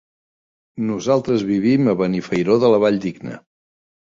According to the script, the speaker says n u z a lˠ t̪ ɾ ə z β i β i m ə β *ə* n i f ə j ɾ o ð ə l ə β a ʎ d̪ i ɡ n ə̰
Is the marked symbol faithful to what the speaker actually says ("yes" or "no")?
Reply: yes